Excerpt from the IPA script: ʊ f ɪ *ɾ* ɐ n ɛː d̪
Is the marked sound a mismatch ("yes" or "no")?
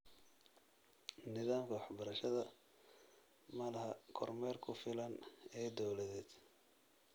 yes